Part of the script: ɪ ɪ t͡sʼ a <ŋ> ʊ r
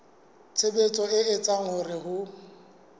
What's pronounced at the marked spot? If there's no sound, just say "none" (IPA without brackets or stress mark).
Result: ŋ